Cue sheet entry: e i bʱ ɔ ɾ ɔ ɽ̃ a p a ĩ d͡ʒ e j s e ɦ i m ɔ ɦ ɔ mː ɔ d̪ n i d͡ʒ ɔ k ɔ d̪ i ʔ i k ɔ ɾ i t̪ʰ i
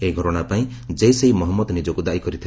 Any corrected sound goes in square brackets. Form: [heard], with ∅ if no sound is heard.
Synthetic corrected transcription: e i [ɡʱ] ɔ ɾ ɔ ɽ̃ a p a ĩ d͡ʒ e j s e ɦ i m ɔ ɦ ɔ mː ɔ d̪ n i d͡ʒ ɔ k [u] d̪ [a] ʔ i k ɔ ɾ i t̪ʰ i